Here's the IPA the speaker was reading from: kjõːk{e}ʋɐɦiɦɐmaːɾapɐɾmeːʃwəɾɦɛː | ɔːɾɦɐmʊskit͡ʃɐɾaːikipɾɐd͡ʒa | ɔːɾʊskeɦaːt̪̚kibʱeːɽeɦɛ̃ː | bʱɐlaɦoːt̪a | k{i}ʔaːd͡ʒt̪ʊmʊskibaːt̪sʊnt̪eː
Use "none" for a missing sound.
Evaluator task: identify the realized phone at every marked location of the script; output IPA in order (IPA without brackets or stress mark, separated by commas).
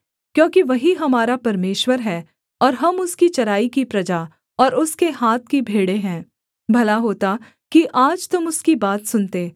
i, i